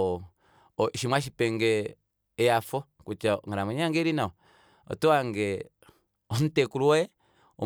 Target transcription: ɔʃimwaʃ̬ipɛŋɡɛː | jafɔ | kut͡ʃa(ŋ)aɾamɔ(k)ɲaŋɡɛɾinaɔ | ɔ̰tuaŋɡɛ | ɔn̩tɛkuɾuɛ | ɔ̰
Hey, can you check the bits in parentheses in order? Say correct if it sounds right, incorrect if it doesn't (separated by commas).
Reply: correct, incorrect